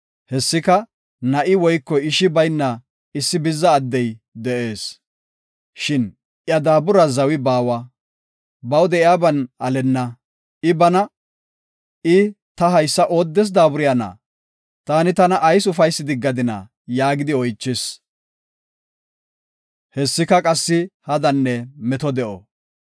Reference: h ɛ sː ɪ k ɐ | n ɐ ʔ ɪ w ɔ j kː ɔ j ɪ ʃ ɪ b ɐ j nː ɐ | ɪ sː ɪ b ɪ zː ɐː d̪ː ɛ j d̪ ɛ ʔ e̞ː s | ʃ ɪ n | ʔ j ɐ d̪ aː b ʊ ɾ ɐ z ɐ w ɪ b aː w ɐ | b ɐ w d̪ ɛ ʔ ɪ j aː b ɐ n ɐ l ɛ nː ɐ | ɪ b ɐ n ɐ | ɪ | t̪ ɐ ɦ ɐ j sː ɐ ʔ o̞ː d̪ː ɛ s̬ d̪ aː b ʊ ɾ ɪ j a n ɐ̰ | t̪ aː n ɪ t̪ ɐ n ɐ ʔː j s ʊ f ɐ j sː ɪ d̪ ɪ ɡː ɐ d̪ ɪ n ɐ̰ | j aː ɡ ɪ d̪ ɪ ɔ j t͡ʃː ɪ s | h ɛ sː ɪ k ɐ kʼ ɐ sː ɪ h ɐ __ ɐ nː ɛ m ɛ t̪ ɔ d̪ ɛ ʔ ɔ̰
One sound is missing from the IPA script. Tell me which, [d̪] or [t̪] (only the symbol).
d̪